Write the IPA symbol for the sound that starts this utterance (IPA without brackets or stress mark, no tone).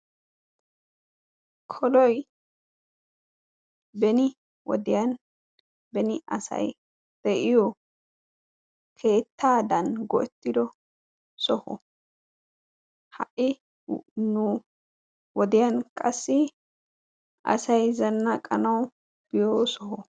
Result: kʰ